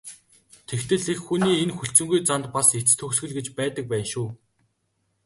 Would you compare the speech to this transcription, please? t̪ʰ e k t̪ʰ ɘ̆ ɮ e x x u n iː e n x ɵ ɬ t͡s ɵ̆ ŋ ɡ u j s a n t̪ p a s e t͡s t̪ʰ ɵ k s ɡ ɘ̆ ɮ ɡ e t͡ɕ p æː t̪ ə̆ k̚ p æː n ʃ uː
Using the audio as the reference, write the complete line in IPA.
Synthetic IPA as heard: t̪ʰ e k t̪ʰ ɘ̆ ɮ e x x u n iː e n x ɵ ɬ t͡s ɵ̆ ŋ ɡ u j t͡s a n t̪ p a s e t͡s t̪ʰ ɵ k s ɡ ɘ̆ ɮ ɡ e t͡ɕ p æː t̪ ə̆ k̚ p æː n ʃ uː